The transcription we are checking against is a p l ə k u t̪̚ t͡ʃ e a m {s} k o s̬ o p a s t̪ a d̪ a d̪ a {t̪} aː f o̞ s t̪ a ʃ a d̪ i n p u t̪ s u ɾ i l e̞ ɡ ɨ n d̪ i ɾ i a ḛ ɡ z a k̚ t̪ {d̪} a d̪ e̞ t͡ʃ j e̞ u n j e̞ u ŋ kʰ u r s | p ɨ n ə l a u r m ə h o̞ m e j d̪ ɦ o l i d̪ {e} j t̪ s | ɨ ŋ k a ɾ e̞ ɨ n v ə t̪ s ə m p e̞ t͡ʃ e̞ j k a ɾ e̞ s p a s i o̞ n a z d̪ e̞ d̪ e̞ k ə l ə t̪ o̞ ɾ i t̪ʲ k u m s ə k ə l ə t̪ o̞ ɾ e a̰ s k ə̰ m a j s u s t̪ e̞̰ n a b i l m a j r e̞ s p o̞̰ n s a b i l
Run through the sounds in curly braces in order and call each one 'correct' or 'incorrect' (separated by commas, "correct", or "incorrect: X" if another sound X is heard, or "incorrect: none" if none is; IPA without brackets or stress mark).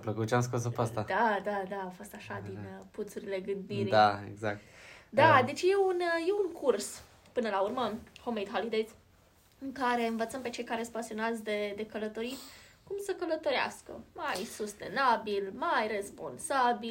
correct, incorrect: d̪, correct, correct